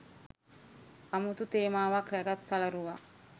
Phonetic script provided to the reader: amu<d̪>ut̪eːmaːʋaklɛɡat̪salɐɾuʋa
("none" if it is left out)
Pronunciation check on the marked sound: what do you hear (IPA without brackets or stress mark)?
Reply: t̪